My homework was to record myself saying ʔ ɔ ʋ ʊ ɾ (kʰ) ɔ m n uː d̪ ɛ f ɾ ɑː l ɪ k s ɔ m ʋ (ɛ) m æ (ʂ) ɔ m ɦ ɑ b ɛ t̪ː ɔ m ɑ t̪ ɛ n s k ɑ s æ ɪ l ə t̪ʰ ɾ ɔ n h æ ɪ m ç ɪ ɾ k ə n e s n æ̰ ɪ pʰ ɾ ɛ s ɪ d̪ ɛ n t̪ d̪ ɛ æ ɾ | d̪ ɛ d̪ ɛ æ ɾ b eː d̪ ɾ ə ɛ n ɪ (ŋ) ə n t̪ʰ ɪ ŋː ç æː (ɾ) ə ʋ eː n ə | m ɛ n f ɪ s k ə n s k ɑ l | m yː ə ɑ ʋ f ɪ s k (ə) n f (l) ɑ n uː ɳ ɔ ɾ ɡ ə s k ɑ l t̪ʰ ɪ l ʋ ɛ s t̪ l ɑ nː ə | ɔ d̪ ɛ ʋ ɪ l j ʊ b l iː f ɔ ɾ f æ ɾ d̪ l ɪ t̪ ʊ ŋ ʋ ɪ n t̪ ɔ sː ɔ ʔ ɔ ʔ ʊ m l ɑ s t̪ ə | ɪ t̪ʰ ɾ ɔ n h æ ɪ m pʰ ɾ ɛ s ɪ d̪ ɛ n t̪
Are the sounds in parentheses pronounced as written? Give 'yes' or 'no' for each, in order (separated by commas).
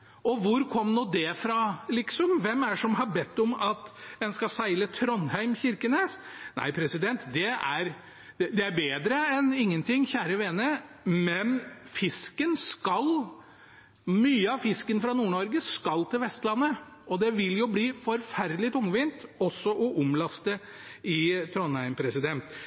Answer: yes, yes, yes, no, yes, yes, no